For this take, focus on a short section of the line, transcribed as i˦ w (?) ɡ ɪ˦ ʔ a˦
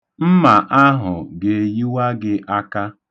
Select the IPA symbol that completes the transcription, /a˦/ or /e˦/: a˦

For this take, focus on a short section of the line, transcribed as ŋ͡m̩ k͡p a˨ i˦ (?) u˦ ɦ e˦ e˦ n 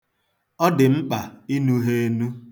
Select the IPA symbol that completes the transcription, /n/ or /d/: n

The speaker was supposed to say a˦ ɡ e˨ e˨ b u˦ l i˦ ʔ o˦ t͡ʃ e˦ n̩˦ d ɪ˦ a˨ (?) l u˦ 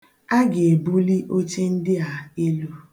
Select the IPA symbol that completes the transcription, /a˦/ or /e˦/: e˦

